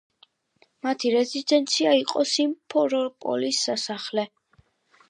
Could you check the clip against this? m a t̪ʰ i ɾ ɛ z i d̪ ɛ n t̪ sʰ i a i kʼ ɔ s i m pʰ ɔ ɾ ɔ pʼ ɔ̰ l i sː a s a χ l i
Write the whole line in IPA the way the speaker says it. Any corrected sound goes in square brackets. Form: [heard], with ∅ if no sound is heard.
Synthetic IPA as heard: m a t̪ʰ i ɾ ɛ z i d̪ ɛ n t̪ sʰ i a i [qʼ] ɔ s i m pʰ ɔ ɾ ɔ pʼ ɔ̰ l i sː a s a χ l [ɛ]